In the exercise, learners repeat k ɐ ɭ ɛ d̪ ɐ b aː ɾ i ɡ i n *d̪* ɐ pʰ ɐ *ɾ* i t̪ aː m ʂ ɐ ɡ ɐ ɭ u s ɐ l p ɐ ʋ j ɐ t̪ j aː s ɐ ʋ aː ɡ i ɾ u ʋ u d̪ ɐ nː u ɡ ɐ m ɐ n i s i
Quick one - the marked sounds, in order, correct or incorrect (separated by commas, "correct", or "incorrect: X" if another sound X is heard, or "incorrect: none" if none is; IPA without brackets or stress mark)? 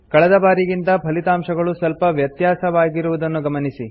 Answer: incorrect: t̪, incorrect: l